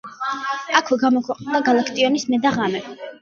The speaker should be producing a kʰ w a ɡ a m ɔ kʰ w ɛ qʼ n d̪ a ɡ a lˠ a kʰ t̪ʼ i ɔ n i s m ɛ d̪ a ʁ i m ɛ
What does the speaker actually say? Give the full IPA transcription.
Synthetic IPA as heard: a kʰ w ɛ ɡ a m ɔ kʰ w ɛ qʼ n d̪ a ɡ a lˠ a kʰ t̪ʼ i ɔ n i s m ɛ d̪ a ʁ a m ɛ